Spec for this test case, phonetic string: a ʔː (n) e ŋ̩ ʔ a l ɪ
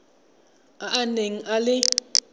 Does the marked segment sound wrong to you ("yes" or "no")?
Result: no